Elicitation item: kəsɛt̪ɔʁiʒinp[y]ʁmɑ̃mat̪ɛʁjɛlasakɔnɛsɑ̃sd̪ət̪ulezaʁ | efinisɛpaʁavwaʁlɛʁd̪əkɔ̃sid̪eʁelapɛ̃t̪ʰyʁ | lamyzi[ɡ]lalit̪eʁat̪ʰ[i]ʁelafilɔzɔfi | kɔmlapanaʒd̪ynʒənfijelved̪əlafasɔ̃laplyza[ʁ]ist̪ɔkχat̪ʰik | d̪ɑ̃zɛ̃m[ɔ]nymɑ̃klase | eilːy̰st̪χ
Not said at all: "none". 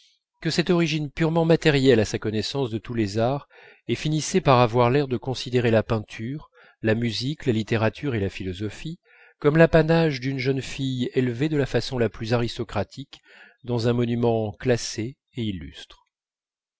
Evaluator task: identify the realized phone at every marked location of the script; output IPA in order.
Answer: y, k, y, ʁ, ɔ

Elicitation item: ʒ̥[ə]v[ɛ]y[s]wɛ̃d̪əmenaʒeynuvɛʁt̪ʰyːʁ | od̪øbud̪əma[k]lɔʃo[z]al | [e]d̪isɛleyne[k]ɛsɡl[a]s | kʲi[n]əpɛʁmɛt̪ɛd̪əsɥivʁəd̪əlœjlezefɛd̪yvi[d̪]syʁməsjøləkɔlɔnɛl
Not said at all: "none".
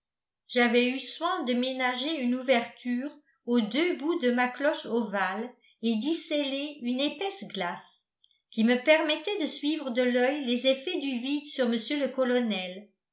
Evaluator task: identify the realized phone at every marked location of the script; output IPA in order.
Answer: a, ɛ, s, k, v, e, p, a, m, d̪

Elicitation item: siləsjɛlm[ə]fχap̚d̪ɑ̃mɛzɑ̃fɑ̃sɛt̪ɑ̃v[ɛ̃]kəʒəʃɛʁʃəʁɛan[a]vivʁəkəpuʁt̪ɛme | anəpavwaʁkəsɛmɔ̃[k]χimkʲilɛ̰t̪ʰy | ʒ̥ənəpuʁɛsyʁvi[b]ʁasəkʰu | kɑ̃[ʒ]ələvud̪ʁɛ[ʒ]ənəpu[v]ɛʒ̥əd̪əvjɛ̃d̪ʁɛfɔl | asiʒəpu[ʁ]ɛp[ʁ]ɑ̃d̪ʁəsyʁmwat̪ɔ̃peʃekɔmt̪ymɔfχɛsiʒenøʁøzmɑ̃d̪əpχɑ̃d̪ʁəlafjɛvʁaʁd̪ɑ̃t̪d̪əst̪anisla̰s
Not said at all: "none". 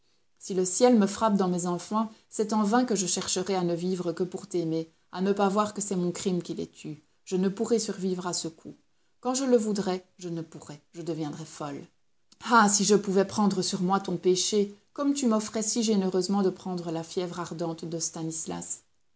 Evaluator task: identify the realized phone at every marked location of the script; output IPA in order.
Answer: ə, ɛ̃, ə, k, v, ʒ, ʒ, ʁ, v, χ

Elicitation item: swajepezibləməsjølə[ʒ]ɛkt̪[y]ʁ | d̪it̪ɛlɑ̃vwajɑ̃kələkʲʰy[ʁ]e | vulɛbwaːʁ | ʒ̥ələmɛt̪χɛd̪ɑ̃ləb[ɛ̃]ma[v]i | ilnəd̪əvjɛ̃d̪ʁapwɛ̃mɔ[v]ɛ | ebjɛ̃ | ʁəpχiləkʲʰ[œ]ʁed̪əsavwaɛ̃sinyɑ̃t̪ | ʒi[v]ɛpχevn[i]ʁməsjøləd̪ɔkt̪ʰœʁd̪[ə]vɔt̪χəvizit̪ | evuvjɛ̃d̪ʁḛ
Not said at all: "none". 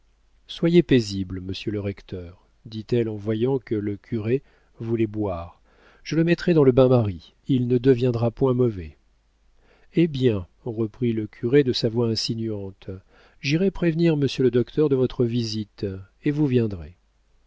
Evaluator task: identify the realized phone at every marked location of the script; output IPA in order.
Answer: ʁ, œ, ʁ, ɛ̃, ʁ, v, y, ʁ, i, ə

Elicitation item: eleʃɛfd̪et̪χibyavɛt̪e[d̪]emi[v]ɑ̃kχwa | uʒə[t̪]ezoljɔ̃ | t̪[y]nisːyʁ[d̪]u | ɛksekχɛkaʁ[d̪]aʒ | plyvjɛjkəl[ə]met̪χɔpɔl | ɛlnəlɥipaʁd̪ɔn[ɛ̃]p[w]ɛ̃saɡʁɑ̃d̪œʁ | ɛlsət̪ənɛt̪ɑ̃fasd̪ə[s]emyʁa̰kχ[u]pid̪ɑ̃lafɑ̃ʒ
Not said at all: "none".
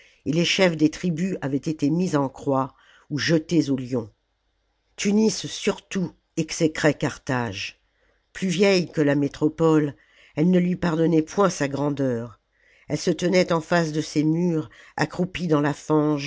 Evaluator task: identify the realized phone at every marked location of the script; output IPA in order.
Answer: t̪, z, t̪, y, t̪, t̪, a, ɛ, w, s, u

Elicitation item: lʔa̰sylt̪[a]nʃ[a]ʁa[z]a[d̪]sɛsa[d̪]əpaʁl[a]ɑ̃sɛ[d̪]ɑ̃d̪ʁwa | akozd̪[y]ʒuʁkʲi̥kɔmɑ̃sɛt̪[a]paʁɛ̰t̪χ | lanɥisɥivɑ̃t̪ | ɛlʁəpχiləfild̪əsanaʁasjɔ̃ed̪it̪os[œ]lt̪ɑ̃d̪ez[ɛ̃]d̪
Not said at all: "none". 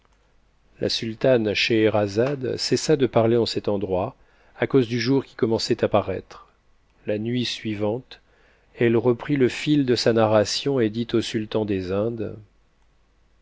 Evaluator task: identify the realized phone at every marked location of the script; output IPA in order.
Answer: a, e, z, d̪, d̪, e, t̪, y, a, y, ɛ̃

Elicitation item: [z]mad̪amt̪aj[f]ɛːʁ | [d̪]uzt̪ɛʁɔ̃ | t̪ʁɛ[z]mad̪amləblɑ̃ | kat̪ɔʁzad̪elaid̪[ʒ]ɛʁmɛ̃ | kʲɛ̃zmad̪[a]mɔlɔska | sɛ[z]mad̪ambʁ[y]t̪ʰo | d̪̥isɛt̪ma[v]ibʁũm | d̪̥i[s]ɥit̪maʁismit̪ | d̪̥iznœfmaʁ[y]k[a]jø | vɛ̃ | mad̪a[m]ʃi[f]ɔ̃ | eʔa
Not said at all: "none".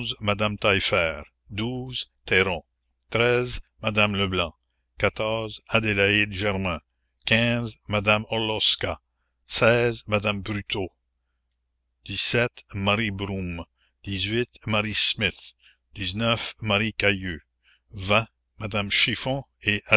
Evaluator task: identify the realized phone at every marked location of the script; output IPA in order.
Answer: z, f, d̪, z, ʒ, a, z, y, ʁ, z, i, a, m, f

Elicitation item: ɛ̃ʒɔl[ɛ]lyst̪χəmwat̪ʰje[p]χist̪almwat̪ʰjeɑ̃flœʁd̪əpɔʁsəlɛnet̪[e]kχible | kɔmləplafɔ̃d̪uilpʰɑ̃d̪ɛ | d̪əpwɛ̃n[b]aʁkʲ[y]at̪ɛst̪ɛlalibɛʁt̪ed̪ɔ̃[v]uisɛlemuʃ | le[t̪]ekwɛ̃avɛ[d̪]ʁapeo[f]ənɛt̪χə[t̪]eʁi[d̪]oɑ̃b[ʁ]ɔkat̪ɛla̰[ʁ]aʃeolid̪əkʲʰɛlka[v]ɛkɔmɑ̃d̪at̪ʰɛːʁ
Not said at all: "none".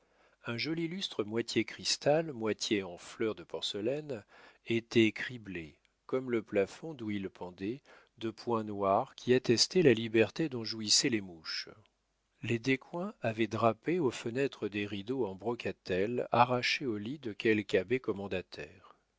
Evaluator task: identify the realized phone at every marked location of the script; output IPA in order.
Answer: i, k, ɛ, w, i, ʒ, d̪, d̪, f, d̪, d̪, ʁ, ʁ, b

